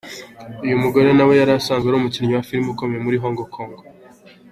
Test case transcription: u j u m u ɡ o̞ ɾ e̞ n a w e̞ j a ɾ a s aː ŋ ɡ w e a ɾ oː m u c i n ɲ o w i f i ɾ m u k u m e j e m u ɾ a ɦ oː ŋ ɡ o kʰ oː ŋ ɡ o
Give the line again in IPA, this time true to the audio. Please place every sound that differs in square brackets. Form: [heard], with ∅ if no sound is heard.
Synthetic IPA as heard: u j u m u ɡ o̞ ɾ e̞ n a w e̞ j a ɾ a s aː ŋ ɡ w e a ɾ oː m u c i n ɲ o w [a] f i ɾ m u k [o] m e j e m u ɾ [i] ɦ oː ŋ ɡ o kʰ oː ŋ ɡ o